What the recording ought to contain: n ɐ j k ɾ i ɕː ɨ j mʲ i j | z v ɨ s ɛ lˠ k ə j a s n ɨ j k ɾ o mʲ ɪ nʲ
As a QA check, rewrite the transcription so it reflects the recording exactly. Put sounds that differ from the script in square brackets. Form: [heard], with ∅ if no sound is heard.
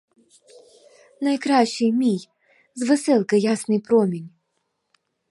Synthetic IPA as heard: n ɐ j k ɾ [a] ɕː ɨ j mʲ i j | z v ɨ s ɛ lˠ k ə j a s n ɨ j [p] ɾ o mʲ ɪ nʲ